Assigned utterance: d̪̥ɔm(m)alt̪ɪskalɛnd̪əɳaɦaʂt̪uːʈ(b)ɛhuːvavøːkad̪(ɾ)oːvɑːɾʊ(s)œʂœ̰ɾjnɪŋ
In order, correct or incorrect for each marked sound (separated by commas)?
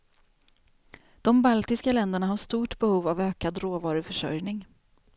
incorrect, correct, correct, incorrect